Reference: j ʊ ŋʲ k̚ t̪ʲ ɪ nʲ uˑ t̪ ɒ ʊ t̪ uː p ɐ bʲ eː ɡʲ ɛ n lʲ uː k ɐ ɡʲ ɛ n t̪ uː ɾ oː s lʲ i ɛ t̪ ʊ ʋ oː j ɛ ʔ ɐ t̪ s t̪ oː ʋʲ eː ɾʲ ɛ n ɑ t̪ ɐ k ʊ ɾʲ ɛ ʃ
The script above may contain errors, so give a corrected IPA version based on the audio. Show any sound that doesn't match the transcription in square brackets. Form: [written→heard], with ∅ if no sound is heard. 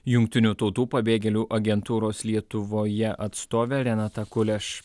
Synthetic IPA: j ʊ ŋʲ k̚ t̪ʲ ɪ nʲ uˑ t̪ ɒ ʊ t̪ uː p ɐ bʲ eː ɡʲ ɛ [n→∅] lʲ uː [k→ʔ] ɐ ɡʲ ɛ n t̪ uː ɾ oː s lʲ i ɛ t̪ ʊ ʋ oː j ɛ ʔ ɐ t̪ s t̪ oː ʋʲ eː ɾʲ ɛ n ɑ t̪ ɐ k ʊ [ɾʲ→lʲ] ɛ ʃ